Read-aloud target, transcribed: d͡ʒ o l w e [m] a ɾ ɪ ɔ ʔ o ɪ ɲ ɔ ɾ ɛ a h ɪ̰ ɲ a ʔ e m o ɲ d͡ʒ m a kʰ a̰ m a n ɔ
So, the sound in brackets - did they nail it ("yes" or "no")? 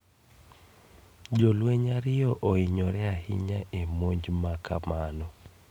no